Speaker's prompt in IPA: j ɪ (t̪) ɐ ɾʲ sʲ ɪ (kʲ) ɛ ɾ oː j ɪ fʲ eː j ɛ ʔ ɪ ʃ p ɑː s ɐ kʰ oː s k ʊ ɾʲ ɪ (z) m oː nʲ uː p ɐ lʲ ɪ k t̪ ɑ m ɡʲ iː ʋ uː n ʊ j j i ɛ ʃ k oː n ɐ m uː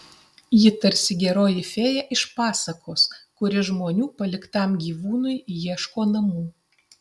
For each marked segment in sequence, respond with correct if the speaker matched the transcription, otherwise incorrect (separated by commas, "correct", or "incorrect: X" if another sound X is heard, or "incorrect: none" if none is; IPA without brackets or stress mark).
correct, incorrect: ɡʲ, incorrect: ʒ